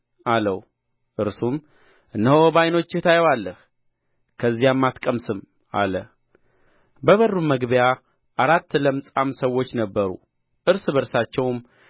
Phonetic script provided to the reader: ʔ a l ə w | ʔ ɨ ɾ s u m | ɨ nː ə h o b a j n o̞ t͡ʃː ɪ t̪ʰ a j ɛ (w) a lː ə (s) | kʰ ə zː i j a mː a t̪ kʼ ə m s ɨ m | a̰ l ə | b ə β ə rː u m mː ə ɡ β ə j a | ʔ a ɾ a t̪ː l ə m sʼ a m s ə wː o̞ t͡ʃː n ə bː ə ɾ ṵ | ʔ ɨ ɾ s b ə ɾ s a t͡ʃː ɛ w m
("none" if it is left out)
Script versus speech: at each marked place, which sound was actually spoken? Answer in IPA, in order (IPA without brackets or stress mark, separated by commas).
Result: w, h